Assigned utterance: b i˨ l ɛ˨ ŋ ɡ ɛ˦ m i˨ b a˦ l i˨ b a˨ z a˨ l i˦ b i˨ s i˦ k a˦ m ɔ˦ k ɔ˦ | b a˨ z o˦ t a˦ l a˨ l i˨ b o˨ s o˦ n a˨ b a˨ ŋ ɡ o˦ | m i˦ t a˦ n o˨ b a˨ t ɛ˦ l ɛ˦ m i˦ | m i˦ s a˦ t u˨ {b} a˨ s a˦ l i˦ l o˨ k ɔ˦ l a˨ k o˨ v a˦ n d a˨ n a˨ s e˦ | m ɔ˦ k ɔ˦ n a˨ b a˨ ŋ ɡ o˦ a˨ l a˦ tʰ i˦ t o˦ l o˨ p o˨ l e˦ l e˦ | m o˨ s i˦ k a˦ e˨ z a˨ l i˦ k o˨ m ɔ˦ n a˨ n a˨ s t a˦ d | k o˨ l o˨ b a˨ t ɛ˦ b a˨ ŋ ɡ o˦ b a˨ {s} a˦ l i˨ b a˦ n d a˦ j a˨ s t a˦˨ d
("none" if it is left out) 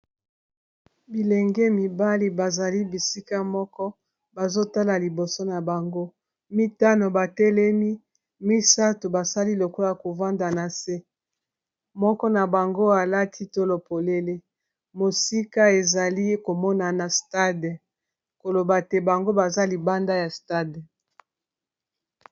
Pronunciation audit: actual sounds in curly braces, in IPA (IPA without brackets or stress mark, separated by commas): b, z